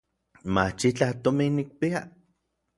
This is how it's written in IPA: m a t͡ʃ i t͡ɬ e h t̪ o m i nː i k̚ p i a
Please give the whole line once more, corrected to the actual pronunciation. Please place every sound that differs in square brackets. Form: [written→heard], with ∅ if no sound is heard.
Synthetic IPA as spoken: m a t͡ʃ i t͡ɬ [e→a] h t̪ o m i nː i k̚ p i a